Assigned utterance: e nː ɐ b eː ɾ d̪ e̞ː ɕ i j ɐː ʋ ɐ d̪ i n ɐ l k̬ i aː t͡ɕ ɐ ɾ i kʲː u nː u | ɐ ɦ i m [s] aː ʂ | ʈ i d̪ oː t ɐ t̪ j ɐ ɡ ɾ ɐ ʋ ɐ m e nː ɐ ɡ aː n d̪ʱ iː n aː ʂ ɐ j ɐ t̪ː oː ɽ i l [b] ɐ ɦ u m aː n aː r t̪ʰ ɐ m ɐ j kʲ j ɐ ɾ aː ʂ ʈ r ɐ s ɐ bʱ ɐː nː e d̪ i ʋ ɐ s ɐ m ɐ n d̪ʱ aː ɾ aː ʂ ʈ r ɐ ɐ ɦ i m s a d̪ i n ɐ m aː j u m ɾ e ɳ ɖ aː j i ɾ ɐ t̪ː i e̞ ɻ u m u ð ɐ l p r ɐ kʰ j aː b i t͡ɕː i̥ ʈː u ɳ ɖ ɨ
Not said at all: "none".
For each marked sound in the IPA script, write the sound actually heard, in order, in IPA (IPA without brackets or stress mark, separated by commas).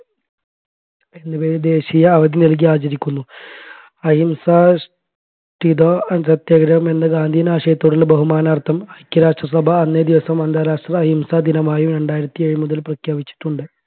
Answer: s, b